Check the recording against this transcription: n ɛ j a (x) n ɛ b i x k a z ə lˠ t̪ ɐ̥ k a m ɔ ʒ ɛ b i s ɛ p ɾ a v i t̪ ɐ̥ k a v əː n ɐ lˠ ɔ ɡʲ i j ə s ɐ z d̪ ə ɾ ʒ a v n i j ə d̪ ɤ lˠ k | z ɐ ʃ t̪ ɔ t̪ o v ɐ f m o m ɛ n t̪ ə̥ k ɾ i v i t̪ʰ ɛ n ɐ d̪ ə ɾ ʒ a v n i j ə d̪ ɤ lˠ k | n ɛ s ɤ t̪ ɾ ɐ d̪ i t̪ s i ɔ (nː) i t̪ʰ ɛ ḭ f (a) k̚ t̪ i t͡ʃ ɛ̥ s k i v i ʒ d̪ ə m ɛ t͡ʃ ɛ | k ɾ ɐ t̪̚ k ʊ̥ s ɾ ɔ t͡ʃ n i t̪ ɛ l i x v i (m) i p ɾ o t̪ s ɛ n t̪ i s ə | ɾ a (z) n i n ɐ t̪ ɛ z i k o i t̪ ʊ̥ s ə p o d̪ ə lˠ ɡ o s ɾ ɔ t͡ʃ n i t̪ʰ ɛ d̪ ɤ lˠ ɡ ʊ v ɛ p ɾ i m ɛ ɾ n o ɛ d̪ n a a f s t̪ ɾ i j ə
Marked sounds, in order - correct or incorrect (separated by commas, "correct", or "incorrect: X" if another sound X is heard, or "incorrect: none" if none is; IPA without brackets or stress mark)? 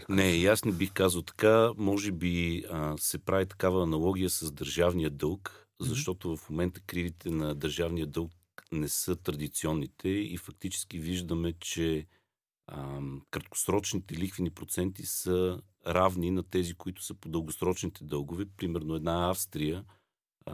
incorrect: s, correct, incorrect: ɐ, incorrect: n, incorrect: v